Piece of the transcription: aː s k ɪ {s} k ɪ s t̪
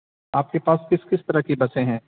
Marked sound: correct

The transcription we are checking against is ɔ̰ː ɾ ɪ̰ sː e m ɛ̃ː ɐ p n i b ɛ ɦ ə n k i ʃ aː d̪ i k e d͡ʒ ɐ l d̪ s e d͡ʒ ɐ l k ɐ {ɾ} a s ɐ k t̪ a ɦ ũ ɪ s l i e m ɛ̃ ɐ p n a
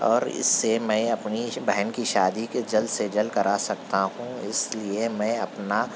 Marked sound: correct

